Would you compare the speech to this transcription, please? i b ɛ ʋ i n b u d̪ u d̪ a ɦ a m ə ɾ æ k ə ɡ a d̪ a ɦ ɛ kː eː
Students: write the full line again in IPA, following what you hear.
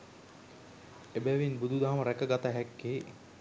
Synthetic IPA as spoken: e b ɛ ʋ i n b u d̪ u d̪ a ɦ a m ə ɾ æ k ə ɡ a t̪ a ɦ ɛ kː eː

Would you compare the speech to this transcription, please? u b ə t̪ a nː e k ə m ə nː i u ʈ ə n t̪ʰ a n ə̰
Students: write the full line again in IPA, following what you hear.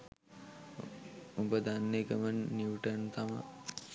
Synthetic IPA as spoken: u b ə d̪ a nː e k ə m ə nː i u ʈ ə n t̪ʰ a m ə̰

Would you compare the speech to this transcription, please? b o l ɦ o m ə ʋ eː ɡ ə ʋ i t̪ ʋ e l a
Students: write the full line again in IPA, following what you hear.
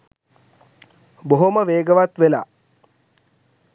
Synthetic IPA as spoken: b o ɦ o m ə ʋ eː ɡ ə ʋ a t̪ ʋ e l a

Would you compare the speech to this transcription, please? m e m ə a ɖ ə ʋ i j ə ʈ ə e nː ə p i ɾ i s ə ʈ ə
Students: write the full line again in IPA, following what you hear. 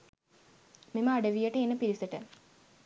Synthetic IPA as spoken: m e m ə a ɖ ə ʋ i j ə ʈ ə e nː ə p i ɾ i s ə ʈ ə

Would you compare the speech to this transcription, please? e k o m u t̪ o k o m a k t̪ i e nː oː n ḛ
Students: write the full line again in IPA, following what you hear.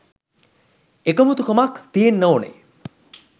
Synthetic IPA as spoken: e k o m u t̪ u k o m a k t̪ i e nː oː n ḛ

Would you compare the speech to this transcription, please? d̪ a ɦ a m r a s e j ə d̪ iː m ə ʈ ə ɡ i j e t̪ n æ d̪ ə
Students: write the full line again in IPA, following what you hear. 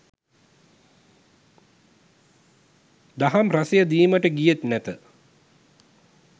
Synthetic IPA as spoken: d̪ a ɦ a m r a s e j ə d̪ iː m ə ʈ ə ɡ i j e t̪ n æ t̪ ə

